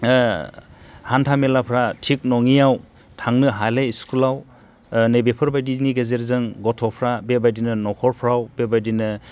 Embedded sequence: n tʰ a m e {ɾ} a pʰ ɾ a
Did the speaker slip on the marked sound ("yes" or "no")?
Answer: yes